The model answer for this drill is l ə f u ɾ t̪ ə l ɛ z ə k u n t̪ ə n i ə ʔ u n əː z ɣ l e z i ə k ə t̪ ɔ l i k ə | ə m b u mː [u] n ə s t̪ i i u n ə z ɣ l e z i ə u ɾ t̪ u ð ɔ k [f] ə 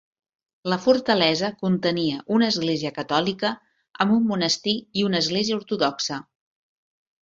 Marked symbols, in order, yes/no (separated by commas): yes, no